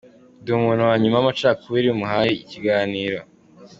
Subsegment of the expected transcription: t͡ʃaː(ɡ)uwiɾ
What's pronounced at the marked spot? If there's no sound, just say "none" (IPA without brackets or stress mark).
k